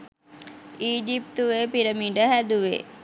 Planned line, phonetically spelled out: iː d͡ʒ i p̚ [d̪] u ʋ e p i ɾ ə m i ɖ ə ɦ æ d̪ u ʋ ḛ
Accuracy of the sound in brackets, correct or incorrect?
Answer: incorrect